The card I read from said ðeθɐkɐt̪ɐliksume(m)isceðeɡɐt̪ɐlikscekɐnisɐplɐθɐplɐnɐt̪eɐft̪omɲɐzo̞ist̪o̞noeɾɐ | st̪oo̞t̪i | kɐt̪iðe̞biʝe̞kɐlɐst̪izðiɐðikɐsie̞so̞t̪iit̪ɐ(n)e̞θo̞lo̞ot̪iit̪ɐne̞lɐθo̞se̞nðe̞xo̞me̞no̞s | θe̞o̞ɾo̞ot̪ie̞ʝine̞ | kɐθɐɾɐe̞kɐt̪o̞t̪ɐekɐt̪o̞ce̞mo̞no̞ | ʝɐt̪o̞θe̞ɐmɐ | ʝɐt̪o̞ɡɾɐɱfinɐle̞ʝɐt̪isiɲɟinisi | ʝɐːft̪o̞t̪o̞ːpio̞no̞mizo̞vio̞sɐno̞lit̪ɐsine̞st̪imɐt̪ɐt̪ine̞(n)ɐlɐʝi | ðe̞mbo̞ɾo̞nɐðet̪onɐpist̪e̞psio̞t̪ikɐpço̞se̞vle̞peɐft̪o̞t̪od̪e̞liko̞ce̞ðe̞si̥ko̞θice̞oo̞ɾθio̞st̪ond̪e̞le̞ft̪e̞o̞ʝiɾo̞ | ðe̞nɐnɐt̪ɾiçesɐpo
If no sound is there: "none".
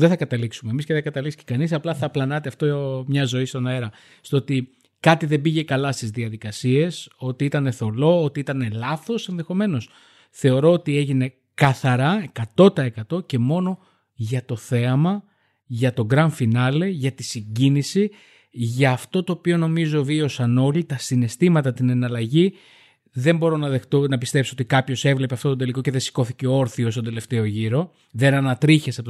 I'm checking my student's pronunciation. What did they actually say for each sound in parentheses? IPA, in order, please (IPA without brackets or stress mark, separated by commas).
m, n, n